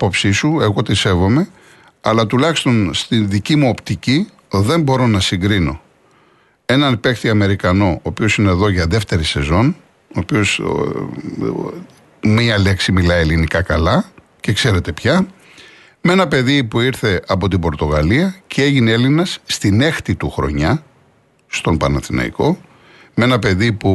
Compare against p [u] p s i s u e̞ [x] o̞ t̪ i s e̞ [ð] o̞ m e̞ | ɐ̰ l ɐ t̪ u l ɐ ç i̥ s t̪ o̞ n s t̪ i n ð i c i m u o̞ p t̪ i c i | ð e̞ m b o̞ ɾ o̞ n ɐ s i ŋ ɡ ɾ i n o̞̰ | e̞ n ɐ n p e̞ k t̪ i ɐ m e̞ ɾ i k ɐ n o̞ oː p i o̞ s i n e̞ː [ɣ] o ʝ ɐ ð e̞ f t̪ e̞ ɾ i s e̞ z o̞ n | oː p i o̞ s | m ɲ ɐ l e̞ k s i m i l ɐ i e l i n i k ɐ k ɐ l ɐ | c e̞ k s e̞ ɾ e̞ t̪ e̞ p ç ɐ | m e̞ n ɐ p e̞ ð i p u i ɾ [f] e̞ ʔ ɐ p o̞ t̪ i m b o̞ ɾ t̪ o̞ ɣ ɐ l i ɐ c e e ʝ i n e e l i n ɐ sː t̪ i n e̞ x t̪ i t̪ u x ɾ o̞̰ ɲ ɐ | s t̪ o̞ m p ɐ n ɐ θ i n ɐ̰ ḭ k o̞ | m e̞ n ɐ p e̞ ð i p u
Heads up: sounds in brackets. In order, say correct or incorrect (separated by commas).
incorrect, incorrect, incorrect, incorrect, incorrect